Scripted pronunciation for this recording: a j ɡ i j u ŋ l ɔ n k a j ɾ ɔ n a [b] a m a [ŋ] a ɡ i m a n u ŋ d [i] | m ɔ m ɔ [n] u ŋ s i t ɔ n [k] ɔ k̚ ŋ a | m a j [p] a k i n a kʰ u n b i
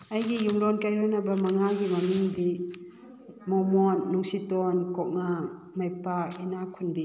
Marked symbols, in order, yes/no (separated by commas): yes, yes, yes, no, yes, yes